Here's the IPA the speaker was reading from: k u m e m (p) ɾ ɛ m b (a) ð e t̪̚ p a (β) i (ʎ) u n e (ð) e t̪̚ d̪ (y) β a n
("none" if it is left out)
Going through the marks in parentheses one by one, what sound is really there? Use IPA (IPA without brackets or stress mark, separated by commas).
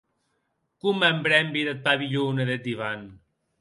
b, i, β, ʎ, ð, i